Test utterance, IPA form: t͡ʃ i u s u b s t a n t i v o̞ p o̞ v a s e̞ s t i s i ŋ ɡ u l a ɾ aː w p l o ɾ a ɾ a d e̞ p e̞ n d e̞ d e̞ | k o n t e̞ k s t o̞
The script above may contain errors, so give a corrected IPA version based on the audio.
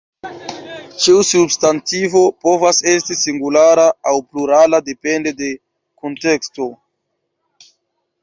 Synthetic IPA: t͡ʃ i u s u b s t a n t i v o̞ p o̞ v a s e̞ s t i s i ŋ ɡ u l a ɾ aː w p l u ɾ a l a d e̞ p e̞ n d e̞ d e̞ | k o n t e̞ k s t o̞